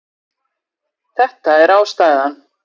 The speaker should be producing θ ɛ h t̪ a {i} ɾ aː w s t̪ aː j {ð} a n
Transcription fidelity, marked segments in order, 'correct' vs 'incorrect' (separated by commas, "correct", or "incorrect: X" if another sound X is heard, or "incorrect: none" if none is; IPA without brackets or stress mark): incorrect: ɛ, correct